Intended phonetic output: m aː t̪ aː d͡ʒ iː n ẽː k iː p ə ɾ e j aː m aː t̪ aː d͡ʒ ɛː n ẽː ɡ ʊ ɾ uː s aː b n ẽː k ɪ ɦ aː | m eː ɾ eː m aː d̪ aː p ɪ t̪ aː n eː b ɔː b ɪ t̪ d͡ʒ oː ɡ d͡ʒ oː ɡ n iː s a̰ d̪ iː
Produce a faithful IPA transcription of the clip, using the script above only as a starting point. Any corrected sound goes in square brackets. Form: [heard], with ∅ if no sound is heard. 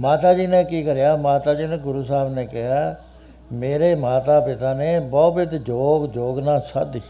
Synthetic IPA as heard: m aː t̪ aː d͡ʒ iː n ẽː k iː [k] ə ɾ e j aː m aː t̪ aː d͡ʒ [iː] n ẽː ɡ ʊ ɾ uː s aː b n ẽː k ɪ ɦ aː | m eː ɾ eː m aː [t̪] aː p ɪ t̪ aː n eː b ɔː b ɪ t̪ d͡ʒ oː ɡ d͡ʒ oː ɡ n [aː] s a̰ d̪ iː